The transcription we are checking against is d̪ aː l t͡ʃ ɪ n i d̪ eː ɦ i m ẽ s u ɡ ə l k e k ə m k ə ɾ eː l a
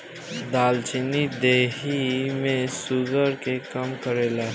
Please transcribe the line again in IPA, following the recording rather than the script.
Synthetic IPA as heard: d̪ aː l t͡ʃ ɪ n i d̪ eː ɦ i m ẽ s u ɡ ə ɾ k e k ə m k ə ɾ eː l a